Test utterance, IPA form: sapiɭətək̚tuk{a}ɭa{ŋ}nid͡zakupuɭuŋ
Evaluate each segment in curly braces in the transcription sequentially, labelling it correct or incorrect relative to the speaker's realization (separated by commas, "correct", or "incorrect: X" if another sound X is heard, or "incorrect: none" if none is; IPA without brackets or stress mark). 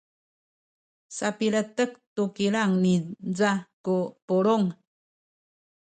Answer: incorrect: i, correct